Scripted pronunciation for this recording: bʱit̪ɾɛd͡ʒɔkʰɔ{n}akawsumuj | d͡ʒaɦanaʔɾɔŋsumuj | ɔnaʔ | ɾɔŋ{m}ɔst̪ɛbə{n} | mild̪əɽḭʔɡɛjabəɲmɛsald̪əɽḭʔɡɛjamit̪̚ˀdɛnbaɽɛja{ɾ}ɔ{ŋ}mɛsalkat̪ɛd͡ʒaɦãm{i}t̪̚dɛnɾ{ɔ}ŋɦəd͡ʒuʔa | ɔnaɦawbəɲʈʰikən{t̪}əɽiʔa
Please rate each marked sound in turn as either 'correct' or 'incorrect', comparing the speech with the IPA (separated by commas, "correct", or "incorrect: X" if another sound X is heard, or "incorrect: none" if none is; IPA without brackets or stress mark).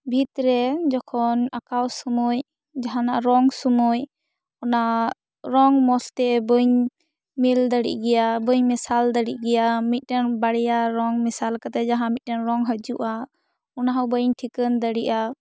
correct, correct, incorrect: ɲ, correct, correct, correct, correct, incorrect: d̪